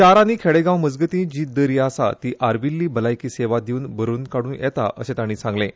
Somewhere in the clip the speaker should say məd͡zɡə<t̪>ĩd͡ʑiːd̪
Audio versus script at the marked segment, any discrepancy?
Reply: no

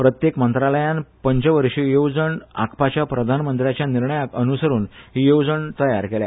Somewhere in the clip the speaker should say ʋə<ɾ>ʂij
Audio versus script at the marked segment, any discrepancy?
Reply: no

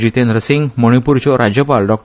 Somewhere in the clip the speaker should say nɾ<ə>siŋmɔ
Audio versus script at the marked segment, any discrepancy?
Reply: no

